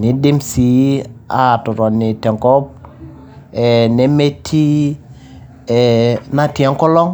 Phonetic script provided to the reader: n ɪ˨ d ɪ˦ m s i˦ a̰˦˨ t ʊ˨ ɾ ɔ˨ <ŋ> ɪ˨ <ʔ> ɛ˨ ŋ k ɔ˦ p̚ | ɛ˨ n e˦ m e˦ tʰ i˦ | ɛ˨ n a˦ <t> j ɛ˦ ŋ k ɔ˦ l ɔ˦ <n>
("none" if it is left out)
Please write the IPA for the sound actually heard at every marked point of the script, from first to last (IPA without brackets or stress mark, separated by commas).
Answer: n, t, t, ŋ